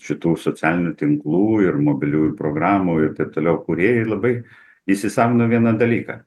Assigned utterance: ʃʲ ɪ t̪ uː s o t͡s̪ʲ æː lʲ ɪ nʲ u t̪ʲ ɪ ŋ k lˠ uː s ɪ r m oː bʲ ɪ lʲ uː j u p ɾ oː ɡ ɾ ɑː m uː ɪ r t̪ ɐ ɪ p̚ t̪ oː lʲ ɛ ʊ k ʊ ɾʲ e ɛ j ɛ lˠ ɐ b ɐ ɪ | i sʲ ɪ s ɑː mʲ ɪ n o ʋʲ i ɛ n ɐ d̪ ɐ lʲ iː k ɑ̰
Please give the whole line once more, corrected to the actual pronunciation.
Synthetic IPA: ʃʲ ɪ t̪ uː s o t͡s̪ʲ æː lʲ ɪ nʲ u t̪ʲ ɪ ŋ k lˠ uː ɪ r m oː bʲ ɪ lʲ uː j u p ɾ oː ɡ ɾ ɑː m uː ɪ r t̪ ɐ ɪ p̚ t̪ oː lʲ ɛ ʊ k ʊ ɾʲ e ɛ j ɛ lˠ ɐ b ɐ ɪ | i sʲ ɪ s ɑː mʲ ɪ n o ʋʲ i ɛ n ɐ d̪ ɐ lʲ iː k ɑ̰